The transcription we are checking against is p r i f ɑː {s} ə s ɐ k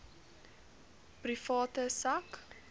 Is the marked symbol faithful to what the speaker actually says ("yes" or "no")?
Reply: no